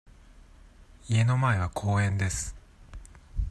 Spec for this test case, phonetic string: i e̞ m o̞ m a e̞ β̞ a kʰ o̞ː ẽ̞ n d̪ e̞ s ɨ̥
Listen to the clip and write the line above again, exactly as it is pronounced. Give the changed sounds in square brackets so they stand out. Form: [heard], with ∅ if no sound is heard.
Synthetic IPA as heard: i e̞ [n] o̞ m a e̞ β̞ a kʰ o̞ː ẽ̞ n d̪ e̞ s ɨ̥